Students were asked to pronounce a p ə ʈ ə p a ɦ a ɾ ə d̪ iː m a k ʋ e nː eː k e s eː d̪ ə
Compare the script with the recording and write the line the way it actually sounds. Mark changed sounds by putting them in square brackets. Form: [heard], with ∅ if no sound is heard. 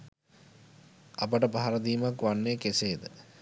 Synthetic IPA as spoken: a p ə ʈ ə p a ɦ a ɾ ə d̪ iː m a k ʋ [a] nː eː k e s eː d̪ ə

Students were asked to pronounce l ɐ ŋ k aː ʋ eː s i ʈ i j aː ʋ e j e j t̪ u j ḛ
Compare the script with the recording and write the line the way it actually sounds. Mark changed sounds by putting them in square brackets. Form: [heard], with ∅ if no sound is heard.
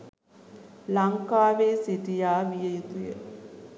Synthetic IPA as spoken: l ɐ ŋ k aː ʋ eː s i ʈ i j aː ʋ [i] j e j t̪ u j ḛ

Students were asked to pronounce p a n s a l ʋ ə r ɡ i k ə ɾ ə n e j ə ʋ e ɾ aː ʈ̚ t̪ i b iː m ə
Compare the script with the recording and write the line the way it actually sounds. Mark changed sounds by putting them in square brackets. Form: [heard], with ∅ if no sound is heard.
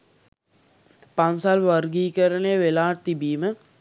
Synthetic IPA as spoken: p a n s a l ʋ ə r ɡ [iː] k ə ɾ ə n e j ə ʋ e [l] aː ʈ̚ t̪ i b iː m ə

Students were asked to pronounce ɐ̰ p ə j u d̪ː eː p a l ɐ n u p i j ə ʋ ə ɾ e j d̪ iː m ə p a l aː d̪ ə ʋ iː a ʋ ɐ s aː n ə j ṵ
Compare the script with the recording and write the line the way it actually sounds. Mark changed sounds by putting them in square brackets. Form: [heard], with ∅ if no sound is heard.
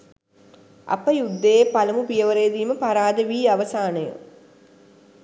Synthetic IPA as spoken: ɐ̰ p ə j u d̪ː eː p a l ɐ [m] u p i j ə ʋ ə ɾ e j d̪ iː m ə p a [ɾ] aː d̪ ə ʋ iː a ʋ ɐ s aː n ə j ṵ

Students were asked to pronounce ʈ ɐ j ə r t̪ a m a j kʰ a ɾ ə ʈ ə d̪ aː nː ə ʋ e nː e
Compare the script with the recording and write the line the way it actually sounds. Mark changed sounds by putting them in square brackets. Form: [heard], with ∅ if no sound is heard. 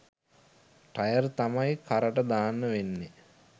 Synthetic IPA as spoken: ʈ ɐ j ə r t̪ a m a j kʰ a ɾ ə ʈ ə d̪ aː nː ə ʋ e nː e

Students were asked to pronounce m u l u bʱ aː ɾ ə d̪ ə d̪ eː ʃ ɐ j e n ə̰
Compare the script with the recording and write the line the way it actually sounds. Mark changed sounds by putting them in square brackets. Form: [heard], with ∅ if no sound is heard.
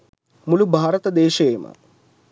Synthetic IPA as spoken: m u l u bʱ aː ɾ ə [t̪] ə d̪ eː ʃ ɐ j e [m] ə̰

